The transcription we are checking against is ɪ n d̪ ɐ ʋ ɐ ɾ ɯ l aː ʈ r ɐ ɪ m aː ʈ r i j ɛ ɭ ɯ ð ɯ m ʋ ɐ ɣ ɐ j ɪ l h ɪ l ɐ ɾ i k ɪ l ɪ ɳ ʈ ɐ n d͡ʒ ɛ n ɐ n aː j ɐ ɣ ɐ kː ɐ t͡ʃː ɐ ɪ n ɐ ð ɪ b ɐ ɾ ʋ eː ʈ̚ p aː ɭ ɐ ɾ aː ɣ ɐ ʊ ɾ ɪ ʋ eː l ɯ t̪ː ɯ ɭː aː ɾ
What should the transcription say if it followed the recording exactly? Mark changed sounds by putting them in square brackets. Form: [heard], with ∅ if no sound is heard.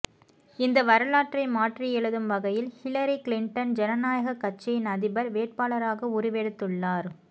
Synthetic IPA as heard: ɪ n d̪ ɐ ʋ ɐ ɾ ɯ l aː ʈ r ɐ ɪ m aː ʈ r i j ɛ ɭ ɯ ð ɯ m ʋ ɐ ɣ ɐ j ɪ l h ɪ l ɐ ɾ i k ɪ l ɪ ɳ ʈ ɐ n d͡ʒ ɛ n ɐ n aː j ɐ ɣ ɐ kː ɐ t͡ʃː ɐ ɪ n ɐ ð ɪ b ɐ ɾ ʋ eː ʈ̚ p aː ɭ ɐ ɾ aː ɣ ɐ ʊ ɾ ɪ ʋ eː [ɽ] ɯ t̪ː ɯ ɭː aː ɾ